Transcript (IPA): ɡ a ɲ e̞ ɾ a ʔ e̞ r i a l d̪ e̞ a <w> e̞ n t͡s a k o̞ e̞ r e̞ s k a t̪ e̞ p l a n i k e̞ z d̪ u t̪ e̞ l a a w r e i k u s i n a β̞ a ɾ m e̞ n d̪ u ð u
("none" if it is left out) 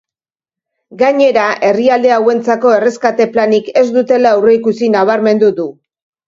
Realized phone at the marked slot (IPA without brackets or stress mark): w